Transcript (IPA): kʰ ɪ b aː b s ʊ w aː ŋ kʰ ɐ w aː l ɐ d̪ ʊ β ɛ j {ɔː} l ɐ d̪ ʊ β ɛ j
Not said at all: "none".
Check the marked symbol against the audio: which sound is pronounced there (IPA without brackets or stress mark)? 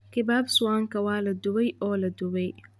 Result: ɔː